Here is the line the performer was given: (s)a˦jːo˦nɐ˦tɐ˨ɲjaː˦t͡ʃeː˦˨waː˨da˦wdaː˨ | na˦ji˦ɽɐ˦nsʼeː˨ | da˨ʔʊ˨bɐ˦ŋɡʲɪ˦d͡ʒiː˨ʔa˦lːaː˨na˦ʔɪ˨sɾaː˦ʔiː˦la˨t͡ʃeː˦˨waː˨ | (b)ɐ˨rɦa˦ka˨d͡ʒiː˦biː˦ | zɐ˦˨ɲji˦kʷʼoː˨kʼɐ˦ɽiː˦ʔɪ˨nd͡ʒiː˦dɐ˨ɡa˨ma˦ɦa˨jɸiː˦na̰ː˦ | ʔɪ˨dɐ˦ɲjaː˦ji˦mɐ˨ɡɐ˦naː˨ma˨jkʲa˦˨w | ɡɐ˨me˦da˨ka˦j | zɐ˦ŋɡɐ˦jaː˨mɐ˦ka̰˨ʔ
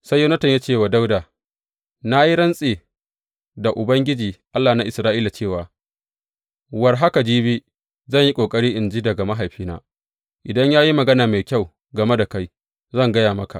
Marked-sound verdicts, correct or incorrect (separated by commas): correct, incorrect